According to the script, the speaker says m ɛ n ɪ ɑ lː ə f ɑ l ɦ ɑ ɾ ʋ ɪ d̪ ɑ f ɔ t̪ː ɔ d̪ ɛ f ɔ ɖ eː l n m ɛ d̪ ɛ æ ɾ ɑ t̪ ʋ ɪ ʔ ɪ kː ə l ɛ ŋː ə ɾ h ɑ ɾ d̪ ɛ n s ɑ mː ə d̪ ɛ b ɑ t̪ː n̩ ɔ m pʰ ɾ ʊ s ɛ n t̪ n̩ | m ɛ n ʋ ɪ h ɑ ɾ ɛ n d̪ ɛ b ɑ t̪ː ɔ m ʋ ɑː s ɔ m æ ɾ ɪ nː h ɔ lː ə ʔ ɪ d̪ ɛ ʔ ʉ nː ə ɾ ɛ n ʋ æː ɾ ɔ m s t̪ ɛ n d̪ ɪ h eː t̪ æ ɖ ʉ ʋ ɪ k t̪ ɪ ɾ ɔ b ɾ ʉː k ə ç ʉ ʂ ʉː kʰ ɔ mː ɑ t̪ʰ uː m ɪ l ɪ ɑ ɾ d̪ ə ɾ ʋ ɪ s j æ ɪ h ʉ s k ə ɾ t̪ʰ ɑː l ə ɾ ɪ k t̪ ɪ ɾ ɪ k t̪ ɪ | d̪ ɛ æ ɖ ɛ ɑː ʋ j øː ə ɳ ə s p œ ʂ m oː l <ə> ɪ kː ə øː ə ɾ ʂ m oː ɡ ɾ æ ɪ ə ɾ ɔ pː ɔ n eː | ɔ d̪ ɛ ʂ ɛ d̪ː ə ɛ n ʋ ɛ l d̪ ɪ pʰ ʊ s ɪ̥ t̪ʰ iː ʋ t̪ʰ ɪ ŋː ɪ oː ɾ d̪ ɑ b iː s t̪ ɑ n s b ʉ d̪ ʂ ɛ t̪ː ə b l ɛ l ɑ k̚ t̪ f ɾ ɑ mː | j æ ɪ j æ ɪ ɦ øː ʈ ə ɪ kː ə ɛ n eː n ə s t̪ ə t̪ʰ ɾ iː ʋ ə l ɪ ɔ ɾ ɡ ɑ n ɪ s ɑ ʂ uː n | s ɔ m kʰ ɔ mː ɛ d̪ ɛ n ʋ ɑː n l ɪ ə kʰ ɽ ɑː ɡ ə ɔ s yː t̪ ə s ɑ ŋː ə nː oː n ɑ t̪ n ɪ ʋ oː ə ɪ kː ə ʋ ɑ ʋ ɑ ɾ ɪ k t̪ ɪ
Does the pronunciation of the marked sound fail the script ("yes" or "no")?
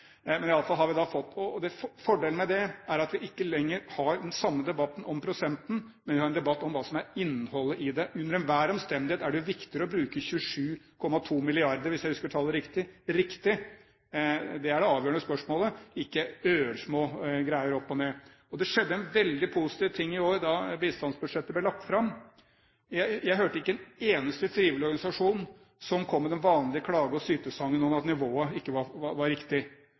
no